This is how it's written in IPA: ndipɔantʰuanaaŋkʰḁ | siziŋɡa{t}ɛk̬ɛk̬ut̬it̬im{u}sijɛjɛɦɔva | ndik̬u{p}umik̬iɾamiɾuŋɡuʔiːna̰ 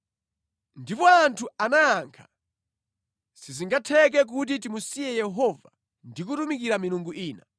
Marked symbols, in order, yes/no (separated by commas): no, yes, no